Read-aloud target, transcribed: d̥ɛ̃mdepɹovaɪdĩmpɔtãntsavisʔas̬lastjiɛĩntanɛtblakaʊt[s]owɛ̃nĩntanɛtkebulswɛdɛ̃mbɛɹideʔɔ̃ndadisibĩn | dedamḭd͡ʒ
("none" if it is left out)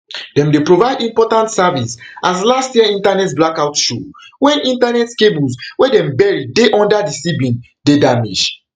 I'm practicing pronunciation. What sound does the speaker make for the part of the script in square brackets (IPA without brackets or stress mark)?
ʃ